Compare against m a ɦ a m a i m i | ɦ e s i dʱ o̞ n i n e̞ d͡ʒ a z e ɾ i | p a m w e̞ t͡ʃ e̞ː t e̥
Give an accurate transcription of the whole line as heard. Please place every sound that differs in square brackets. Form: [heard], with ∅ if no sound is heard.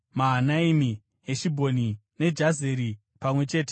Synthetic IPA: m a ɦ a [n] a i m i | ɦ e [ʃ] i [bʱ] o̞ n i n e̞ d͡ʒ a z e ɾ i | p a m w e̞ t͡ʃ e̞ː t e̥